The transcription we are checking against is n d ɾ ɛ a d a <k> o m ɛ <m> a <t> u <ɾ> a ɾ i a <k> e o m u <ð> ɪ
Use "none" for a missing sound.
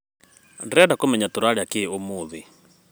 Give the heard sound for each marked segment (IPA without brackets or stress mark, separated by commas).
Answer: k, ɲ, t, ɾ, k, ð